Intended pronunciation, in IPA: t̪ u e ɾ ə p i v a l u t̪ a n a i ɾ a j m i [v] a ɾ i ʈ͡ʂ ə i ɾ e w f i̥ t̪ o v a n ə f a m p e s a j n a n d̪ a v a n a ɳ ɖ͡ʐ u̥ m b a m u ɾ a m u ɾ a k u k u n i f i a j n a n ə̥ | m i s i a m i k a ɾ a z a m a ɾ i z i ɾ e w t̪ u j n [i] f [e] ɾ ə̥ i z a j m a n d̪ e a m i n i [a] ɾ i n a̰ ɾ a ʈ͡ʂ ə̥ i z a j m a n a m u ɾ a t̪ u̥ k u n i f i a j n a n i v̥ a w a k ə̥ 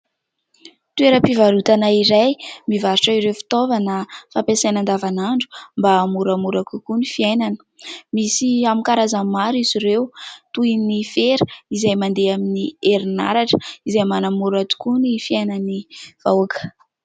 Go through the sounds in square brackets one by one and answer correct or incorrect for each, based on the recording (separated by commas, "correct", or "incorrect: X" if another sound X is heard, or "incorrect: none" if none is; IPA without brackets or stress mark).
correct, correct, correct, incorrect: e